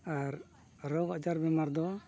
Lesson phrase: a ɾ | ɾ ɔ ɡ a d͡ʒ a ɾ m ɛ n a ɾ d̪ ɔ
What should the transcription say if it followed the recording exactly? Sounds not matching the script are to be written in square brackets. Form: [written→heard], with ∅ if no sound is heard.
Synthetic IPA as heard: a ɾ | ɾ ɔ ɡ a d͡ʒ a ɾ [m→b] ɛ [n→m] a ɾ d̪ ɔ